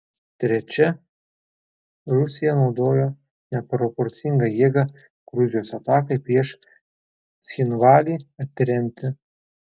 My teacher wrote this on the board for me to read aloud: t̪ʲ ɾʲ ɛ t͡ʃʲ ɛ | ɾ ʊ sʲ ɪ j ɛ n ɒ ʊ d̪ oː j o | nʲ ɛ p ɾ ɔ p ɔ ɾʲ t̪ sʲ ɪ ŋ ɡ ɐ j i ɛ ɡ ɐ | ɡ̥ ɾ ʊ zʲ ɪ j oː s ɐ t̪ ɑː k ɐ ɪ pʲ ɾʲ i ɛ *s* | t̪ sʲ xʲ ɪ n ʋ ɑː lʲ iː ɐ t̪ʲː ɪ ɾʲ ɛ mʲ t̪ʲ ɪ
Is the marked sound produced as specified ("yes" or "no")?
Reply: no